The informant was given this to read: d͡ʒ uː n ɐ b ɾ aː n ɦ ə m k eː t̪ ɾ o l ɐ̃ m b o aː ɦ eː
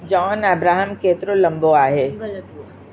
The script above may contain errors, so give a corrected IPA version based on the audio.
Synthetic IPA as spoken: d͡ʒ ɔː n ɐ b ɾ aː ɦ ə m k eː t̪ ɾ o l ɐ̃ m b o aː ɦ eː